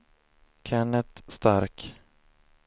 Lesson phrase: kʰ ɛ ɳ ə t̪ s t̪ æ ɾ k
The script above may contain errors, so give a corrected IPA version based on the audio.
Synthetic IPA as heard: kʰ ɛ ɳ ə t̪ s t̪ a ɾ k